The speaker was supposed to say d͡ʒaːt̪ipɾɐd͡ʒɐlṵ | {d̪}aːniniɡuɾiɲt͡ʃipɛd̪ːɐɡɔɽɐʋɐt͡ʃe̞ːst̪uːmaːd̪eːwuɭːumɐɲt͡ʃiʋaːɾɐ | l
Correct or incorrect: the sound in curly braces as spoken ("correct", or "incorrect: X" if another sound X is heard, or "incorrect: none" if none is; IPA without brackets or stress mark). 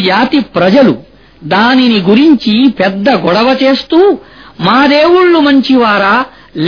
correct